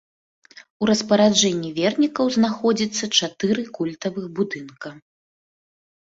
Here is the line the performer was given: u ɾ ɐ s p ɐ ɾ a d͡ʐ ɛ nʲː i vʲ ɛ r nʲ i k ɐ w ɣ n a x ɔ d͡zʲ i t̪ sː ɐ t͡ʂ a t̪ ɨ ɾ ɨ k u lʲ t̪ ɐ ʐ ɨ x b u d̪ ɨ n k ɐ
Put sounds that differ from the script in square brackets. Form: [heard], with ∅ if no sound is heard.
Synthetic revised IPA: u ɾ ɐ s p ɐ ɾ a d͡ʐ ɛ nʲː i vʲ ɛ r nʲ i k ɐ w [z] n a x ɔ d͡zʲ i t̪ sː ɐ t͡ʂ a t̪ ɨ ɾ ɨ k u lʲ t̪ ɐ [v] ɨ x b u d̪ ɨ n k ɐ